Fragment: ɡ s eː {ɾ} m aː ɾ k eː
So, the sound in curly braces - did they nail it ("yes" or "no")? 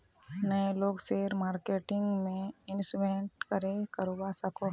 yes